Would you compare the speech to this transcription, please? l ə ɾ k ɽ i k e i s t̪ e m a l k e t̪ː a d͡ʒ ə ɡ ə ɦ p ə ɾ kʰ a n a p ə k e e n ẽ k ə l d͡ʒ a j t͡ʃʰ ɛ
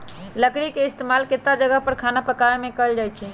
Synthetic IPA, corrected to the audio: l ə k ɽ i k e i s t̪ e m a l k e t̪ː a d͡ʒ ə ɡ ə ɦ p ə ɾ kʰ a n a p ə k a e m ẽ k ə l d͡ʒ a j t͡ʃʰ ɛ